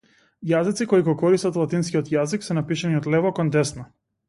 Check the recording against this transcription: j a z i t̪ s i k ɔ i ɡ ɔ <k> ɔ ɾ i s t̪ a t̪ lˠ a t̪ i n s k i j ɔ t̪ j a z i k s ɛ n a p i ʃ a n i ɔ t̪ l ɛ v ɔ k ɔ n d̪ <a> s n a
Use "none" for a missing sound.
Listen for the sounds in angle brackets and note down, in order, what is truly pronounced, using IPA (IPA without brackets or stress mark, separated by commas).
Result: k, ɛ